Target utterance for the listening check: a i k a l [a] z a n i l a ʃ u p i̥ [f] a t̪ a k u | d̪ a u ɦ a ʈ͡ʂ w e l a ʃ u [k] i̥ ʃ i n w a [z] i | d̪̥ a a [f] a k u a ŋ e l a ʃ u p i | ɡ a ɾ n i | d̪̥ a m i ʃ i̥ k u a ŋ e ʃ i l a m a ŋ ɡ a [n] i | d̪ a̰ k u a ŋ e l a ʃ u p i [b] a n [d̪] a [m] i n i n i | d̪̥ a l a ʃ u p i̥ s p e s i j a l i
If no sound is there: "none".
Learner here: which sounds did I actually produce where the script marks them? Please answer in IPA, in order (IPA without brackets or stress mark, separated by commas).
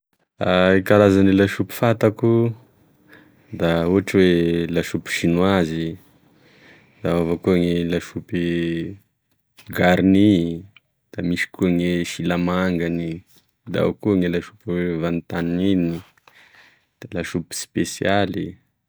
a, f, p, z, v, n, v, t̪, n